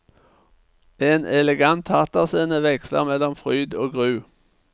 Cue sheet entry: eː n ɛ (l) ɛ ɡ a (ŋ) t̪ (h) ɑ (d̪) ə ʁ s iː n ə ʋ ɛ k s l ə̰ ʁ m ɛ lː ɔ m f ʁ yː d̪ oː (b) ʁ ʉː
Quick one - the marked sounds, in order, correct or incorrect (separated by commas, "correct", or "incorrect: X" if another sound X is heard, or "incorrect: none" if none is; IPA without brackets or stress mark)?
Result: correct, incorrect: n, correct, incorrect: t̪, incorrect: ɡ